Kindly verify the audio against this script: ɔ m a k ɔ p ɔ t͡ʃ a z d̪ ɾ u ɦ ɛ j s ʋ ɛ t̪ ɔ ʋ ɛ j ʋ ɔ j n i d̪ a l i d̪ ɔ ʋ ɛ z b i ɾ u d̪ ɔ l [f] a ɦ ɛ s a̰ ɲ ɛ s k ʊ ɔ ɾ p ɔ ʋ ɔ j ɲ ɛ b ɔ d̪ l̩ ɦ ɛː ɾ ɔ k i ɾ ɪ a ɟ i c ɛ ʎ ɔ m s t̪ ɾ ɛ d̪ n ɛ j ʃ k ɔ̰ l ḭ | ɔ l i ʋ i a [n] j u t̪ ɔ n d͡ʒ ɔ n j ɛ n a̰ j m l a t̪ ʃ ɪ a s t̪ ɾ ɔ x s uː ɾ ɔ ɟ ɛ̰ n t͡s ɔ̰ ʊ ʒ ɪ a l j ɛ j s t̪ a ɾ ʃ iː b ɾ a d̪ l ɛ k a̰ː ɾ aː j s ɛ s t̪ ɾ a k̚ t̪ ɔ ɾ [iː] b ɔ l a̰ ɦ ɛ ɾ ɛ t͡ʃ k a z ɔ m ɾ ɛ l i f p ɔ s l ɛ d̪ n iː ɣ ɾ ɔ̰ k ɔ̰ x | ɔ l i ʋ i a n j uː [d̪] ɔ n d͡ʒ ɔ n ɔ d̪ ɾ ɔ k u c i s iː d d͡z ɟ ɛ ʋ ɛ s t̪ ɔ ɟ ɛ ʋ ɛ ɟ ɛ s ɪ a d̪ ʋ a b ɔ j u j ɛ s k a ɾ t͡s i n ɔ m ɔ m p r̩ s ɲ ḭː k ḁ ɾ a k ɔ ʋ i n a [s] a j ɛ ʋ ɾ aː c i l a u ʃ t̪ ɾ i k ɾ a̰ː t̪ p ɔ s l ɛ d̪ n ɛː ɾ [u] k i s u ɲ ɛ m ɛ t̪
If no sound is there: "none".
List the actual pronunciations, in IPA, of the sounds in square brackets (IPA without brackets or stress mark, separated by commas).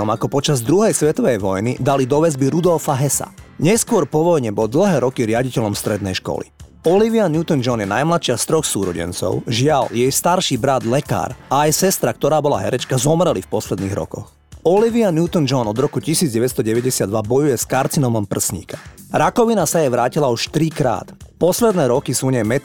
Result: f, n, aː, t̪, s, ɔ